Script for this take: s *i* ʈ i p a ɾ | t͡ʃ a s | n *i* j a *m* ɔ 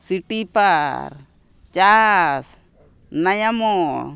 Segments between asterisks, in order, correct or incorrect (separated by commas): correct, incorrect, correct